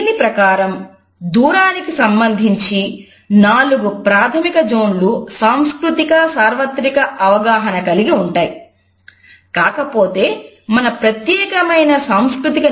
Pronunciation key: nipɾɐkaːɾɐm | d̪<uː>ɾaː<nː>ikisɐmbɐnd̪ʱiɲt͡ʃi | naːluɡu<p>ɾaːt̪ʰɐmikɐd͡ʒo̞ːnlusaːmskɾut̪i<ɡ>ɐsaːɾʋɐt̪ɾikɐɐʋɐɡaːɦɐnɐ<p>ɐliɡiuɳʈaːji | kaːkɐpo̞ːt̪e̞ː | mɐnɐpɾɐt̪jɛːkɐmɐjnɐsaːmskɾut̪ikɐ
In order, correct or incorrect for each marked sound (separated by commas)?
correct, incorrect, correct, incorrect, incorrect